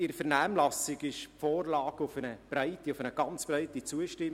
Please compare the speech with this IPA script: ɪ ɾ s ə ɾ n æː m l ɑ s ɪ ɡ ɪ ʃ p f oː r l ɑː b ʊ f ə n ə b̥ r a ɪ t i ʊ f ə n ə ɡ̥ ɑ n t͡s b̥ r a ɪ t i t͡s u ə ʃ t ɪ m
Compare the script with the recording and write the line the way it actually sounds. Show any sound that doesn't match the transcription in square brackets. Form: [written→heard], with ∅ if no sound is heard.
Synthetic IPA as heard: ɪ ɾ [s→f] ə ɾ n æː m l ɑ s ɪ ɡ ɪ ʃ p f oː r l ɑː [b→ɡ] ʊ f ə n ə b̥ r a ɪ t i ʊ f ə n ə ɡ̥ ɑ n t͡s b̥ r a ɪ t i t͡s u ə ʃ t ɪ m